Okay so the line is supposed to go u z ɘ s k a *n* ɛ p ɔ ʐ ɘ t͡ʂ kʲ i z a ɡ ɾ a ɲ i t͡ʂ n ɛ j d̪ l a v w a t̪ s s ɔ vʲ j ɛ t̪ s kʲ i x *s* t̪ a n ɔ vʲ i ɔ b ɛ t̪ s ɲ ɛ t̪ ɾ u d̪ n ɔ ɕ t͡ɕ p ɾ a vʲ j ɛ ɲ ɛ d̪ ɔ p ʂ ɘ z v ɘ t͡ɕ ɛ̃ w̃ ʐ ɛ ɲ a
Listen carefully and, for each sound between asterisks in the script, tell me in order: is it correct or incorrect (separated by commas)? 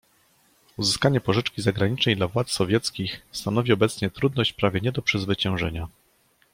incorrect, correct